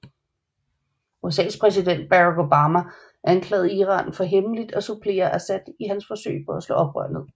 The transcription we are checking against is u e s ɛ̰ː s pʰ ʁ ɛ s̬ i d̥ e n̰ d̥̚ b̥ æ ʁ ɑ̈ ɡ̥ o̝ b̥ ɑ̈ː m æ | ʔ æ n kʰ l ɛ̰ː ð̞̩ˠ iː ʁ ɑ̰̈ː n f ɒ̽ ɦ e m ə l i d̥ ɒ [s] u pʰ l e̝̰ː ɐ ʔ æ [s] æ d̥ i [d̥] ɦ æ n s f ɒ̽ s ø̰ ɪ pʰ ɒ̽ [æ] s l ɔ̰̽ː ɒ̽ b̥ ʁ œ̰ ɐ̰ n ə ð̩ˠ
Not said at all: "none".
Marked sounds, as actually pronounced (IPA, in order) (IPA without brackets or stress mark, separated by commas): s, s, none, æ